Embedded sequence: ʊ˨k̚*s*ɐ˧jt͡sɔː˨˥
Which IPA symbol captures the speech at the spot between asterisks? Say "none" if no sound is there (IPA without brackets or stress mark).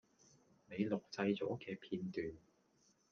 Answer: t͡s